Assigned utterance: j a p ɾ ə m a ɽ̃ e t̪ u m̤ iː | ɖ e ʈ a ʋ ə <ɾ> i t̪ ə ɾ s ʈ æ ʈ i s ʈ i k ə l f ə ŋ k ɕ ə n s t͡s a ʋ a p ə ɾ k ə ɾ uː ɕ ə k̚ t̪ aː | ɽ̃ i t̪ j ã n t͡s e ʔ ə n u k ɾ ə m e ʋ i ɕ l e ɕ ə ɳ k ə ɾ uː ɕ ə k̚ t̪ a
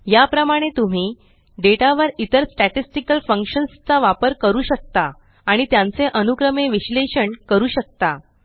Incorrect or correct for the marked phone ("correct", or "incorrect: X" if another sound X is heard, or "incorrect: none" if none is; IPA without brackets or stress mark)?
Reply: correct